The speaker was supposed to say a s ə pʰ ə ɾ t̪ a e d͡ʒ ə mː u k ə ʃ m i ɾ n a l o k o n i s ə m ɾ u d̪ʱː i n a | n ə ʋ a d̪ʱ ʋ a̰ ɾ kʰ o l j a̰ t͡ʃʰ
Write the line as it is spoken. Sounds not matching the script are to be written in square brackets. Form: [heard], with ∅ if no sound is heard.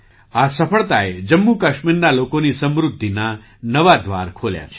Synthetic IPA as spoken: a s ə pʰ ə [ɭ] t̪ a e d͡ʒ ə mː u k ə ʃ m i ɾ n a l o k o n i s ə m ɾ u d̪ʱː i n a | n ə ʋ a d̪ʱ ʋ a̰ ɾ kʰ o l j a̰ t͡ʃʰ